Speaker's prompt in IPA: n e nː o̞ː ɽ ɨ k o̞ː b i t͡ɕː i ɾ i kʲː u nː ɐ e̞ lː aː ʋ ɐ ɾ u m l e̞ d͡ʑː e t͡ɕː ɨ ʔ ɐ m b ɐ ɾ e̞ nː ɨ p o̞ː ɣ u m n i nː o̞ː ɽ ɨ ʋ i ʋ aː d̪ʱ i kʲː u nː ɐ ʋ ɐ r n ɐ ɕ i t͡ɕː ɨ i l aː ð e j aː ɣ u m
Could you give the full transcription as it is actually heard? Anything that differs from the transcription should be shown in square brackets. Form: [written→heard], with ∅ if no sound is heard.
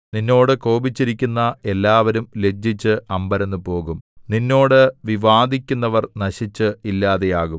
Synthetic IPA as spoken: n [e→i] nː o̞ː ɽ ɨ k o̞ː b i t͡ɕː i ɾ i kʲː u nː ɐ e̞ lː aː ʋ ɐ ɾ u m l e̞ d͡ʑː [e→i] t͡ɕː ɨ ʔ ɐ m b ɐ ɾ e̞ nː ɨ p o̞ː ɣ u m n i nː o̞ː ɽ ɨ ʋ i ʋ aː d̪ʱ i kʲː u nː ɐ ʋ ɐ r n ɐ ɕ i t͡ɕː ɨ i [l→lː] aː ð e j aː ɣ u m